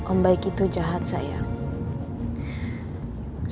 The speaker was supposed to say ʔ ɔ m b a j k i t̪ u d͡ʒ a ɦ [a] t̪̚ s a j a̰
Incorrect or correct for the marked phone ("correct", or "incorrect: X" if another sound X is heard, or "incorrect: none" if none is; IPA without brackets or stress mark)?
correct